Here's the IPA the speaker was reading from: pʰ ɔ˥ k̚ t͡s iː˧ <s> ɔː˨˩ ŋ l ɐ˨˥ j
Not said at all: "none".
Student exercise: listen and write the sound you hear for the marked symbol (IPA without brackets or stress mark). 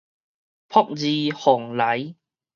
h